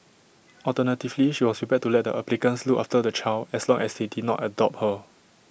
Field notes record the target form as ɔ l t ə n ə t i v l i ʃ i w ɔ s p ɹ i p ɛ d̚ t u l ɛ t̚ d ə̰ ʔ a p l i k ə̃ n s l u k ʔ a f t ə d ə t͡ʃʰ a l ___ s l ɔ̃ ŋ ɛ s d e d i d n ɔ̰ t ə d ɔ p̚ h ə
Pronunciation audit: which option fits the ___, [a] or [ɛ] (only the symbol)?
ɛ